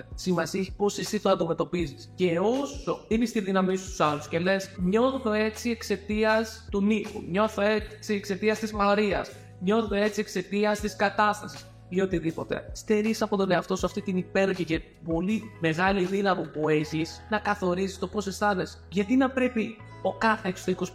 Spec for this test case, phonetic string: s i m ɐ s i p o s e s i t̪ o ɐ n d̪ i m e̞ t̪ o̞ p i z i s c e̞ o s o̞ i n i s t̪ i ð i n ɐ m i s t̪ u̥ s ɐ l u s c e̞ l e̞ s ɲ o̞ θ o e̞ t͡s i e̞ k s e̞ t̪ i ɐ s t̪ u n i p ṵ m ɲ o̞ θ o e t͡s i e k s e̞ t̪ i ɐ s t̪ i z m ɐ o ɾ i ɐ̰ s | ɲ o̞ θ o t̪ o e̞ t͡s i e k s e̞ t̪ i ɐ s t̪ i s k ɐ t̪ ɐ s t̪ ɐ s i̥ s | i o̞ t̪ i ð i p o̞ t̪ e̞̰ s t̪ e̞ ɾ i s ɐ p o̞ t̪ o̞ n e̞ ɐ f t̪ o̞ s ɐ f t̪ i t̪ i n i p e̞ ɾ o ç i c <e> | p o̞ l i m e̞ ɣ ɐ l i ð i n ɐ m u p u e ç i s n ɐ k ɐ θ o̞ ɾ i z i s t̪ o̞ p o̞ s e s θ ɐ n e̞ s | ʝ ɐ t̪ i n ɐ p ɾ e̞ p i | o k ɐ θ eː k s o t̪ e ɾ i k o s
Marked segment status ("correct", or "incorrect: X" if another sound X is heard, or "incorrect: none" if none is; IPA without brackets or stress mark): correct